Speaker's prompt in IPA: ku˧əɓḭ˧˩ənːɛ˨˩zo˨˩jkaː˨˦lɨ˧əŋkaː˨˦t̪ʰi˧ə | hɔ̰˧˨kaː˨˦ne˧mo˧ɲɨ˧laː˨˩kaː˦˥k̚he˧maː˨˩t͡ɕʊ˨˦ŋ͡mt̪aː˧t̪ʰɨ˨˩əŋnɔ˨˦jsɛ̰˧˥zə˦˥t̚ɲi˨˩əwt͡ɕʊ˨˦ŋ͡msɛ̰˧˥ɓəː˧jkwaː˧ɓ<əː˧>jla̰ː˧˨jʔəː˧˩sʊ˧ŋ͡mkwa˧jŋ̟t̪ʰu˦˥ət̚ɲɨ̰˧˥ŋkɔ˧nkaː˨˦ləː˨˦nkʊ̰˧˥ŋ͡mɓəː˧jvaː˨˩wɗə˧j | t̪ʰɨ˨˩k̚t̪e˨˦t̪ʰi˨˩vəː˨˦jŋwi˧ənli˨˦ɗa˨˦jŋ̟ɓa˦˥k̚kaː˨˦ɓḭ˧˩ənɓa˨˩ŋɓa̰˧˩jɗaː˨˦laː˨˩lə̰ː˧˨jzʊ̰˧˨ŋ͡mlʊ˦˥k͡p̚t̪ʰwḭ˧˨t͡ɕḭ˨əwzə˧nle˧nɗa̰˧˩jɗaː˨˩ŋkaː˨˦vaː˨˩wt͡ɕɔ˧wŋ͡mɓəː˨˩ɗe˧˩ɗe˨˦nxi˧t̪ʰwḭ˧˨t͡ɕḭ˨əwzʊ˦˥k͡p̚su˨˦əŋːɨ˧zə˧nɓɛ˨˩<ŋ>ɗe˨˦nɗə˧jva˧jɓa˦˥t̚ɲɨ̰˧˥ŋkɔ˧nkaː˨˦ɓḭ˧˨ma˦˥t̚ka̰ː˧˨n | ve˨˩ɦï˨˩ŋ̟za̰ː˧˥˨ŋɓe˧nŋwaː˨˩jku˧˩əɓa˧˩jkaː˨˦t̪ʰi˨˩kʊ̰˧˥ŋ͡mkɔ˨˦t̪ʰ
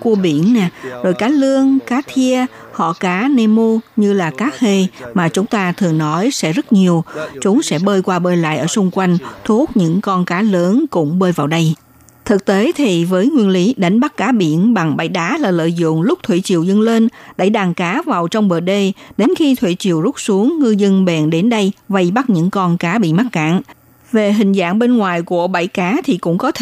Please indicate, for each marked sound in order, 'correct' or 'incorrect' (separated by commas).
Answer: correct, incorrect